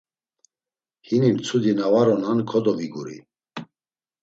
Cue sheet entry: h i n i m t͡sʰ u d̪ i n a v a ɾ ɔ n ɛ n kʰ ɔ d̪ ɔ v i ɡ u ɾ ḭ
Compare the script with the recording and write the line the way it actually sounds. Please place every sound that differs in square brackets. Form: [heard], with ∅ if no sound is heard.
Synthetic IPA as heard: h i n i m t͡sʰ u d̪ i n a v a ɾ ɔ n [a] n kʰ ɔ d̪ ɔ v i ɡ u ɾ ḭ